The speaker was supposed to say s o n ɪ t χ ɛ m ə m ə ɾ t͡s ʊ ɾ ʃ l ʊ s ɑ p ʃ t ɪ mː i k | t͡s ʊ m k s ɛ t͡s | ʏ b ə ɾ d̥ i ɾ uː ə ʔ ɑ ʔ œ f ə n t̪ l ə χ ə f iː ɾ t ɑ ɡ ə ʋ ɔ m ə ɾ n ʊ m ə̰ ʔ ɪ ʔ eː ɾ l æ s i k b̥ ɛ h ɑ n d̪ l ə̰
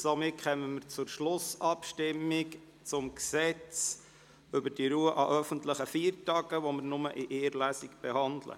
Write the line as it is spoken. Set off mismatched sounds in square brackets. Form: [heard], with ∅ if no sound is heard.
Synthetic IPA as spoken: s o [m] ɪ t χ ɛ m ə m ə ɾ t͡s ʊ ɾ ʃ l ʊ s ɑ p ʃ t ɪ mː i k | t͡s ʊ m k s ɛ t͡s | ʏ b ə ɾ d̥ i ɾ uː ə ʔ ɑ ʔ œ f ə n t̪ l ə χ ə f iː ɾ t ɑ ɡ ə ʋ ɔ m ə ɾ n ʊ m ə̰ ʔ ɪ ʔ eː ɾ l æ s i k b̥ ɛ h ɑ n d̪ l ə̰